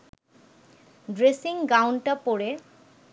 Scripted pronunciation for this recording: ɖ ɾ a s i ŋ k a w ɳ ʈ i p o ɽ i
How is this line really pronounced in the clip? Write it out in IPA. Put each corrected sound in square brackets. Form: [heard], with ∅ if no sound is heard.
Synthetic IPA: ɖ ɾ [e] s i ŋ [ɡ] a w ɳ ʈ [a] p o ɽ [e]